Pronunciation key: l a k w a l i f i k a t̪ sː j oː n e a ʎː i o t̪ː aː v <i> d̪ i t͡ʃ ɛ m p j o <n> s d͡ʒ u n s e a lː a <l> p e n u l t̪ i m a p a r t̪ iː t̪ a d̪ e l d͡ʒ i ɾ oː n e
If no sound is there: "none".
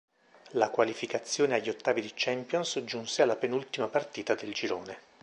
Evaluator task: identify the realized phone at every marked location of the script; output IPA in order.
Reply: i, n, none

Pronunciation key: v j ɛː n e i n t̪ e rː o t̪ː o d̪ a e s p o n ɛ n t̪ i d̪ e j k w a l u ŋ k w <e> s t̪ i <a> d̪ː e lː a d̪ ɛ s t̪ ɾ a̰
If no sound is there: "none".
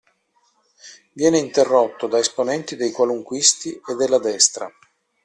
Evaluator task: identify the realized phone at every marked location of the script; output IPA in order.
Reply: i, e

